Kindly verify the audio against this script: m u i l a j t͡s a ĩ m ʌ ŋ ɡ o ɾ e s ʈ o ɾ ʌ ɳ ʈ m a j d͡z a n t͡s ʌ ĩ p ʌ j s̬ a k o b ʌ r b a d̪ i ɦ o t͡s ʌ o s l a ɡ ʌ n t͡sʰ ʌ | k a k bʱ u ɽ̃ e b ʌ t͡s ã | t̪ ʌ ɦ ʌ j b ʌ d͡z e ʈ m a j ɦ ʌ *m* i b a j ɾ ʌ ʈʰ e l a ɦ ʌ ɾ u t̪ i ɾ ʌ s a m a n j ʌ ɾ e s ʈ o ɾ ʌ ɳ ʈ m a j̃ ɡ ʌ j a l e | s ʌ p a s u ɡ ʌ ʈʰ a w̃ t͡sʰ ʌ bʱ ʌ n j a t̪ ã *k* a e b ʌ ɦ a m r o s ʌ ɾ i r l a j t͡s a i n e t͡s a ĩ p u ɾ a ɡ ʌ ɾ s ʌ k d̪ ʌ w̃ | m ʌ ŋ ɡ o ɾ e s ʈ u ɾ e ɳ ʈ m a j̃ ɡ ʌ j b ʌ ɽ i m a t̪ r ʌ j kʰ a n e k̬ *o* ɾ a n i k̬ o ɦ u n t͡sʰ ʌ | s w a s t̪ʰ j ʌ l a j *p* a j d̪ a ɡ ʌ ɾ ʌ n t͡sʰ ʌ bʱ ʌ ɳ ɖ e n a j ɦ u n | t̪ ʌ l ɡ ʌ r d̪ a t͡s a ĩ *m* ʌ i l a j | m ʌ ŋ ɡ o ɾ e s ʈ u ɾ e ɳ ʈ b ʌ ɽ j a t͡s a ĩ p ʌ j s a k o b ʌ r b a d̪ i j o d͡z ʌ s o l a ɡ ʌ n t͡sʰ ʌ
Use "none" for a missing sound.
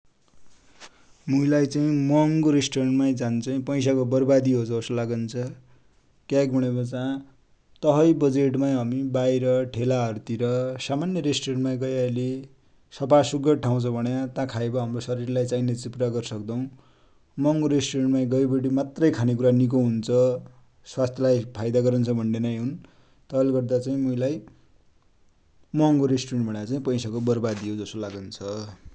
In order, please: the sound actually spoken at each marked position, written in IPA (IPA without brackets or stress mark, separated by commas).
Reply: m, kʰ, u, pʰ, m